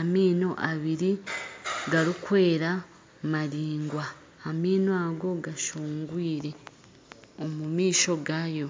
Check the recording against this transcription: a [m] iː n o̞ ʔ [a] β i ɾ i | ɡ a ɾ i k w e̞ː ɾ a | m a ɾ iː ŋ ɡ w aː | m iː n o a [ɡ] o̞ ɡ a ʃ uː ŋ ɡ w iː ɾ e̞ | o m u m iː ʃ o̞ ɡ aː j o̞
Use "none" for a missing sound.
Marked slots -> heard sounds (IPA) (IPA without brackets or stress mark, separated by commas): m, a, ɡ